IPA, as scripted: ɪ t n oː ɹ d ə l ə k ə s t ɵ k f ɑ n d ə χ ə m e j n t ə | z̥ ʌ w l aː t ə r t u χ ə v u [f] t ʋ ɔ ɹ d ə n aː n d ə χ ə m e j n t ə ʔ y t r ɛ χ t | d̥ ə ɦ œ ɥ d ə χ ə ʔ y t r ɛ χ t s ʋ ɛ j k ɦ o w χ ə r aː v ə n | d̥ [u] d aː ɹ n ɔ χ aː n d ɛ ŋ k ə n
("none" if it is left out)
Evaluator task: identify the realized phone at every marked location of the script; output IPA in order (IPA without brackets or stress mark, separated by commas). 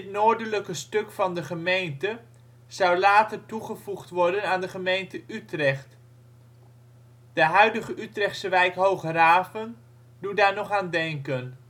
χ, u